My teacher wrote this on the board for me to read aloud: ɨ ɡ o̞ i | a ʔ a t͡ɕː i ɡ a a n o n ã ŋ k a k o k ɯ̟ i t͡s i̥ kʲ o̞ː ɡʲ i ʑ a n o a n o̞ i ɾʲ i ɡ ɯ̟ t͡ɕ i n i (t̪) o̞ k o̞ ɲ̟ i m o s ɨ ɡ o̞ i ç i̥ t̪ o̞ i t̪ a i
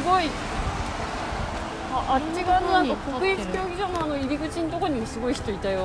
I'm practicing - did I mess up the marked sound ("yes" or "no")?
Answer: no